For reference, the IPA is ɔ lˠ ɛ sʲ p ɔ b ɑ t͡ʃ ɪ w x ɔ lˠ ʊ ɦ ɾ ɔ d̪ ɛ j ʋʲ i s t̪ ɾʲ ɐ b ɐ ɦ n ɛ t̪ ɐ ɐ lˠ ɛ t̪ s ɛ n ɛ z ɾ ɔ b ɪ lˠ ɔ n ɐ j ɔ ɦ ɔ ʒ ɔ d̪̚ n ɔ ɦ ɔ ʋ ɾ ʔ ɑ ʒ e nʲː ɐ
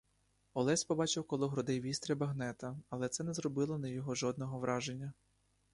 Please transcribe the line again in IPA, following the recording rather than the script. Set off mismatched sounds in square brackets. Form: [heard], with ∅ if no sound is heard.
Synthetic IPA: ɔ lˠ ɛ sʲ p ɔ b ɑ t͡ʃ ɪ w [k] ɔ lˠ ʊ ɦ ɾ ɔ d̪ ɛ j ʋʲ i s t̪ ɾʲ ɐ b ɐ ɦ n ɛ t̪ ɐ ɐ lˠ ɛ t̪ s ɛ n ɛ z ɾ ɔ b ɪ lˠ ɔ n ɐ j ɔ ɦ ɔ ʒ ɔ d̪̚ n ɔ ɦ ɔ ʋ ɾ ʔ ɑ ʒ e nʲː ɐ

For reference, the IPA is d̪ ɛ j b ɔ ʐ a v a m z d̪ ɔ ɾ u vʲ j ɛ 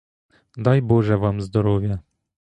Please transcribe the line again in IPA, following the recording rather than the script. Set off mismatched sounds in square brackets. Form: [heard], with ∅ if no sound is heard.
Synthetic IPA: d̪ [a] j b ɔ ʐ [ɛ] v a m z d̪ ɔ ɾ [ɔ] vʲ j ɛ

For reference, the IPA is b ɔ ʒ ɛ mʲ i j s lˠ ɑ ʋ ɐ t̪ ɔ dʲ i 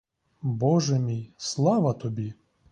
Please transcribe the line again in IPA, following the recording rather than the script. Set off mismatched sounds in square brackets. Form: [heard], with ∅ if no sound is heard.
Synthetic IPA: b ɔ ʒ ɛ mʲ i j s lˠ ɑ ʋ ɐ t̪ ɔ [bʲ] i

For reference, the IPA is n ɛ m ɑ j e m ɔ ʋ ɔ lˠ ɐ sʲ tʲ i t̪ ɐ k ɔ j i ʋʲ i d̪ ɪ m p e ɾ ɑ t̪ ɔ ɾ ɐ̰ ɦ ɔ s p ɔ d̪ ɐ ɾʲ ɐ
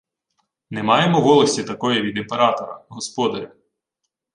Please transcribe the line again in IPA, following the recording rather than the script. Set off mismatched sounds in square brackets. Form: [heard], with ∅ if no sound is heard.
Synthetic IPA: n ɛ m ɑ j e m ɔ ʋ ɔ lˠ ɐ sʲ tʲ i t̪ ɐ k ɔ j i ʋʲ i d̪ ɪ m p e ɾ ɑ t̪ ɔ ɾ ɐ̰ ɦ ɔ s p ɔ d̪ ɐ ɾʲ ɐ

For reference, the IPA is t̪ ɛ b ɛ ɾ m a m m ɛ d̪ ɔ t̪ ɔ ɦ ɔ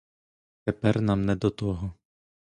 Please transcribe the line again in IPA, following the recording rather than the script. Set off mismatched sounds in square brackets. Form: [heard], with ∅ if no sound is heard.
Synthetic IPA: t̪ ɛ [p] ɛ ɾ [n] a m [n] ɛ d̪ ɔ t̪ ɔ ɦ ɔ

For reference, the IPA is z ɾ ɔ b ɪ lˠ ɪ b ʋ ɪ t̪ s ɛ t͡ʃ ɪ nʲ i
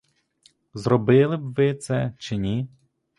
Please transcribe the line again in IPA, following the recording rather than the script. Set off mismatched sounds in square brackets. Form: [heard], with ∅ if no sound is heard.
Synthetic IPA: z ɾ ɔ b ɪ lˠ ɪ b ʋ ɪ t̪ s ɛ t͡ʃ ɪ nʲ i

